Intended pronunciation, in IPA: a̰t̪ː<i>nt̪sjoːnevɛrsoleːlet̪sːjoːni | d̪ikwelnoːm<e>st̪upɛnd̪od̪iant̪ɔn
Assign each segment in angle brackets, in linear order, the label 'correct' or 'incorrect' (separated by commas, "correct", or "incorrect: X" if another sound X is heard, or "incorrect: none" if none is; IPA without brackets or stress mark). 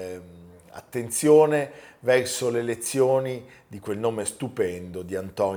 incorrect: e, correct